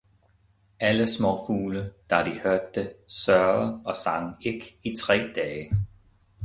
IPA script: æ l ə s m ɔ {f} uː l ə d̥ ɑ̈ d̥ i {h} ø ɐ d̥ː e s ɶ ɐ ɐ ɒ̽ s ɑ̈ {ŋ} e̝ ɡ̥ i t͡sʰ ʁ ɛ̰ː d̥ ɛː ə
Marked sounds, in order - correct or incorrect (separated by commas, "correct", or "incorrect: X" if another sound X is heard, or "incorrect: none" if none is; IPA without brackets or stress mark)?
correct, correct, correct